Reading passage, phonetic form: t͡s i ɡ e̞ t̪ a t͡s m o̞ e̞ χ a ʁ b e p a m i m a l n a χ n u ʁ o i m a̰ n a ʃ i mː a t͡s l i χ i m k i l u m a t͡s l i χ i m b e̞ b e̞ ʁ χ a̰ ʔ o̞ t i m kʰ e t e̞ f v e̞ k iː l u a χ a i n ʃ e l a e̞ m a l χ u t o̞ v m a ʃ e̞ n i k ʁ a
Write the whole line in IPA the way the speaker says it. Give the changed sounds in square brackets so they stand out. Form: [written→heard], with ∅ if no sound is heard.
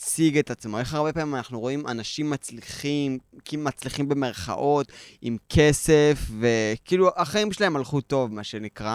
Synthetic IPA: t͡s i ɡ e̞ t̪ a t͡s m o̞ e̞ χ a ʁ b e p a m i m a [l→∅] n a χ n u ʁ o i m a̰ n a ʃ i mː a t͡s l i χ i m k i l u m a t͡s l i χ i m b e̞ [b→m] e̞ ʁ χ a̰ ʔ o̞ t i m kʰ e [t→s] e̞ f v e̞ k iː l u a χ a i [n→m] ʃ e l a e̞ m a l χ u t o̞ v m a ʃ e̞ n i k ʁ a